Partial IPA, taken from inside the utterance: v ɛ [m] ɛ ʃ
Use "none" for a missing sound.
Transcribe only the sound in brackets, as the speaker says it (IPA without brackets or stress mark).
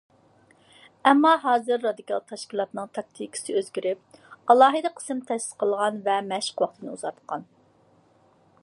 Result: m